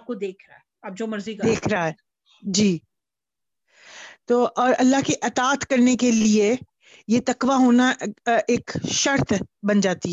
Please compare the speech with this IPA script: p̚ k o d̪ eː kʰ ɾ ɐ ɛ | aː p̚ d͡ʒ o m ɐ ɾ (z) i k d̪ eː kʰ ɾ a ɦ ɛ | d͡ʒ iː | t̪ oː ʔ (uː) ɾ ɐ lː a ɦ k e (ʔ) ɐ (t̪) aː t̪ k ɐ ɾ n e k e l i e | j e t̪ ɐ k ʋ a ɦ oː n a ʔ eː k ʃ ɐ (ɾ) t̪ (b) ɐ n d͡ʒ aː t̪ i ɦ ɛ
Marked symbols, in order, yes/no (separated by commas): yes, no, yes, yes, yes, yes